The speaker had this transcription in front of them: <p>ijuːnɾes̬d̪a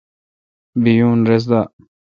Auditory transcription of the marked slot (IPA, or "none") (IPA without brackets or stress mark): b